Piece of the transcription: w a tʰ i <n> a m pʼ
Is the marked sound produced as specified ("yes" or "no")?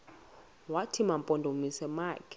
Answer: no